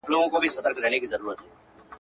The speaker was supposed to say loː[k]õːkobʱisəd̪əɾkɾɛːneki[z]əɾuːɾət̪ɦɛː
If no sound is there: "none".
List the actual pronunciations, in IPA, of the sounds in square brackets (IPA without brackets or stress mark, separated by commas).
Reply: ɡ, z